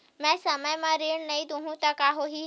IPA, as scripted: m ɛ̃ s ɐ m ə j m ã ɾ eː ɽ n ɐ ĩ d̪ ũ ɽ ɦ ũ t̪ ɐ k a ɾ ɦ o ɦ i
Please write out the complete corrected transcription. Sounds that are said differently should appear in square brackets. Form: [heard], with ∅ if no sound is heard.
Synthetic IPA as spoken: m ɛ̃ s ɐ m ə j m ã ɾ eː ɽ n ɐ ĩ d̪ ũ [∅] ɦ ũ t̪ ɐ k a [∅] ɦ o ɦ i